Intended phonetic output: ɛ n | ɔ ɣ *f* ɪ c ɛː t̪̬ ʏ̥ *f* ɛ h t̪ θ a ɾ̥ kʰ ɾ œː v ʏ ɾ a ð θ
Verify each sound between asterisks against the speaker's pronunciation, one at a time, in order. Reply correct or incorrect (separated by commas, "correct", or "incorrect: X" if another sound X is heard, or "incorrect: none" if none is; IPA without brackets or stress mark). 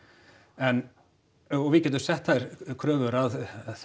incorrect: v, incorrect: s